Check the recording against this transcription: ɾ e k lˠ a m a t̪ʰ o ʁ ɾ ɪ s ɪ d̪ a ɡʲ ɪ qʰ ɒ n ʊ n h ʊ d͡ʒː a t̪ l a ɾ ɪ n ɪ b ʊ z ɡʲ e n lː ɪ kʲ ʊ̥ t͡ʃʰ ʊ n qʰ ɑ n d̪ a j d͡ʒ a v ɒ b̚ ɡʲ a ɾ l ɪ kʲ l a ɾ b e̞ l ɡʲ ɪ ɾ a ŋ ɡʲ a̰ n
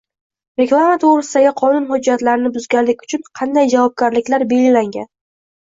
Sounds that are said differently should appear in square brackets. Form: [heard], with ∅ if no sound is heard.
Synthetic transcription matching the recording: ɾ e k lˠ a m a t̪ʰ o ʁ ɾ ɪ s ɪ d̪ a ɡʲ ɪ qʰ ɒ n ʊ n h ʊ d͡ʒː a t̪ l a ɾ ɪ n ɪ b ʊ z ɡʲ [a] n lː ɪ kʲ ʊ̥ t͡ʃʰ ʊ n qʰ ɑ n d̪ a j d͡ʒ a v ɒ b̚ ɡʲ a ɾ l ɪ kʲ l a ɾ b e̞ l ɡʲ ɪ [l] a ŋ ɡʲ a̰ n